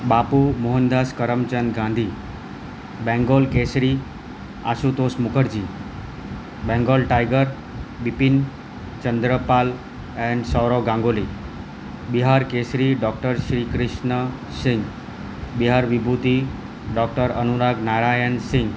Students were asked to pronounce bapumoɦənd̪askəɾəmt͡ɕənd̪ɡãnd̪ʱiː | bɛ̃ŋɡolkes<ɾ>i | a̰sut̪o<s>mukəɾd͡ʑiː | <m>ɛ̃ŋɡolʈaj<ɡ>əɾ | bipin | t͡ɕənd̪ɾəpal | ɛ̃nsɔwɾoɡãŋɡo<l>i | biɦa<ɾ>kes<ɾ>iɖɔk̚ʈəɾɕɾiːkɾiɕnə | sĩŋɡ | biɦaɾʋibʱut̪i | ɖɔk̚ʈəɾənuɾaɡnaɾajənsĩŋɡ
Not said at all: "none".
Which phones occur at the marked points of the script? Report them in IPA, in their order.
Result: ɾ, s, b, ɡ, l, ɾ, ɾ

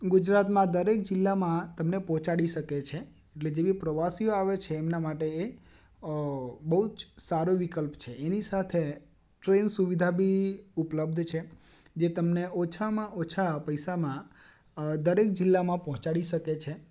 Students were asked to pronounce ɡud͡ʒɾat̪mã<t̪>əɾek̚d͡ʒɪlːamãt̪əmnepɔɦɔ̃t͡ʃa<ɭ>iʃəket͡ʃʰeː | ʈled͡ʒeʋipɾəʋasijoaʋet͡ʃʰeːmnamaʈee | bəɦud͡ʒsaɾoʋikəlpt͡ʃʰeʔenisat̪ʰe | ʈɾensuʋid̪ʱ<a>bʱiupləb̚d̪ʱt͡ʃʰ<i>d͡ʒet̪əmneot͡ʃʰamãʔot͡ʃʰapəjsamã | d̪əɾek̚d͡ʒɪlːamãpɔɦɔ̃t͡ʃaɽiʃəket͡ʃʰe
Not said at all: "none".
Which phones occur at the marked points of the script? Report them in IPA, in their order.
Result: d̪, ɽ, a, e

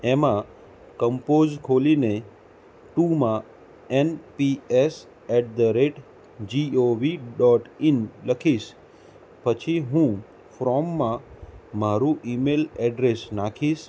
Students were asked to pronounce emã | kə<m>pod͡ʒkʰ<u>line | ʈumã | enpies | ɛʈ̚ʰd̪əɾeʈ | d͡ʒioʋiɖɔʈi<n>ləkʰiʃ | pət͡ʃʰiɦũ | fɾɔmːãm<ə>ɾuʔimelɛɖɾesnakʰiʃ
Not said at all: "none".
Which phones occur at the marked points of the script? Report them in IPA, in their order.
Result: m, o, n, a

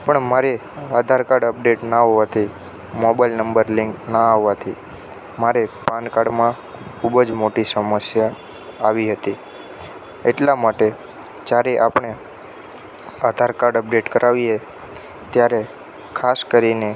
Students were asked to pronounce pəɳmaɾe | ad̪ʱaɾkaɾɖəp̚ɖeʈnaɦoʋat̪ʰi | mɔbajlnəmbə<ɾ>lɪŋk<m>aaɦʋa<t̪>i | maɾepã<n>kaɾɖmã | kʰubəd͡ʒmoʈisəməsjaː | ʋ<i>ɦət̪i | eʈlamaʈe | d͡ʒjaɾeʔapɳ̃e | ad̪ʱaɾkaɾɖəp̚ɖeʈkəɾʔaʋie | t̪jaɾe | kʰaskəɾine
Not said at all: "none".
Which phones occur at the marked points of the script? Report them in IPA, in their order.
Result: ɾ, n, t̪ʰ, n, i

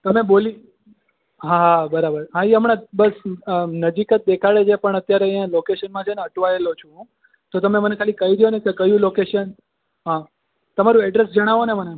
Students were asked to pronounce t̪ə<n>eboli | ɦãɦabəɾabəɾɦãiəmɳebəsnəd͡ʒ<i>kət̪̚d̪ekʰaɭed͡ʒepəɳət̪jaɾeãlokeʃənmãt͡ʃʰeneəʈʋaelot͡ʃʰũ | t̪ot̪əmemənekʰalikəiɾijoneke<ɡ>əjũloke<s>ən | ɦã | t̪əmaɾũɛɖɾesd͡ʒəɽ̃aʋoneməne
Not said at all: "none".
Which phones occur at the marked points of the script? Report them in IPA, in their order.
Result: m, i, k, ʃ

